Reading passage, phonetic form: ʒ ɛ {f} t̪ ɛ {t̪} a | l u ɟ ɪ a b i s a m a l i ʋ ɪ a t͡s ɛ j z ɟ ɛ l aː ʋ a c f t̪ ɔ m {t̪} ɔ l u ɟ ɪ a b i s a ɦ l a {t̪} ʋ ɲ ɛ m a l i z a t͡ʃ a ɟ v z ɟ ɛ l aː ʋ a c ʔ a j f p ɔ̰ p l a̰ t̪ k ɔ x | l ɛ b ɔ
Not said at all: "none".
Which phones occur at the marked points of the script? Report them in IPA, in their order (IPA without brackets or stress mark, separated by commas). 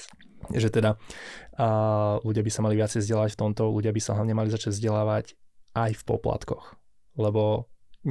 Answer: none, d̪, t̪, none